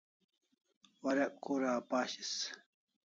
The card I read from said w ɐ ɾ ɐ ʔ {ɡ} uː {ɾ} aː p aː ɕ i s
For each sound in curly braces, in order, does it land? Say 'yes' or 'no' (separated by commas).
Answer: no, yes